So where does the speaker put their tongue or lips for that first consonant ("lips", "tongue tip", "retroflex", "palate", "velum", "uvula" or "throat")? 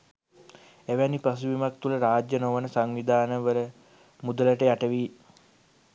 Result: lips